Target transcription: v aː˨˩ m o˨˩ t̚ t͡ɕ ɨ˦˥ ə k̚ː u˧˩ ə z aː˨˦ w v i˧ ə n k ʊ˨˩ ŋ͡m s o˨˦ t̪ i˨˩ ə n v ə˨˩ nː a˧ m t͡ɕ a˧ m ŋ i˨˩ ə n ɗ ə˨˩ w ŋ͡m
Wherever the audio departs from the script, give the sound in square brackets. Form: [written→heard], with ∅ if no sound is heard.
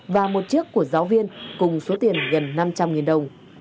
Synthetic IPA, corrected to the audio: v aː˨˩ m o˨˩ t̚ t͡ɕ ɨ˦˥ ə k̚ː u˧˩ ə z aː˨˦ w v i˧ ə n k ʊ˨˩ ŋ͡m s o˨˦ t̪ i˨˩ ə n [v→ɣ] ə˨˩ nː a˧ m t͡ɕ a˧ m ŋ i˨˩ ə n ɗ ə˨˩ w ŋ͡m